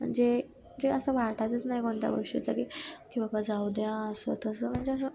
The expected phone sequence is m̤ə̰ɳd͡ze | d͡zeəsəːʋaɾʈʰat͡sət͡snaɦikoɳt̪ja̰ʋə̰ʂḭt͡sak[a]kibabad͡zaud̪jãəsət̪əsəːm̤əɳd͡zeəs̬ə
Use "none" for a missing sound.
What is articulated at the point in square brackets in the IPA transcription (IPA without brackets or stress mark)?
i